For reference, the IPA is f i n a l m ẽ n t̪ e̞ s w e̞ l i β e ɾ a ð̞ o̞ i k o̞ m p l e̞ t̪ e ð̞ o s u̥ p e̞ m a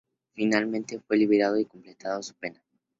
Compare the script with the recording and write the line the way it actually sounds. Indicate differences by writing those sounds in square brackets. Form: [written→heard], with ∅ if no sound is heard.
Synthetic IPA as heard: f i n a l m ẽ n t̪ e̞ [s→f] w e̞ l i β e ɾ a ð̞ o̞ i k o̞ m p l e̞ t̪ [e→a] ð̞ o s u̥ p e̞ [m→n] a